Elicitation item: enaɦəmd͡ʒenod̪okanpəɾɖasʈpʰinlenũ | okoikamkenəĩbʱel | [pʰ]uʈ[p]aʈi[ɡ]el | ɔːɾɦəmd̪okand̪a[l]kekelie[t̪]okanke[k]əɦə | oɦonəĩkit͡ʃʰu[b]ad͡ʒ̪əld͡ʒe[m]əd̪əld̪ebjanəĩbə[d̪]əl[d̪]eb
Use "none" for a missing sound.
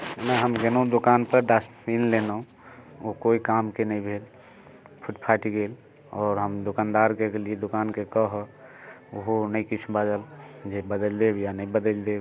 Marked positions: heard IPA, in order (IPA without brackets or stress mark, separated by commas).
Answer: pʰ, pʰ, ɡ, ɾ, d̪, k, b, b, d̪, d̪